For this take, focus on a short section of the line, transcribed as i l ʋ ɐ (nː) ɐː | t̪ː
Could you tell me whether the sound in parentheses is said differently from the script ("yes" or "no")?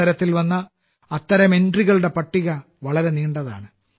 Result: no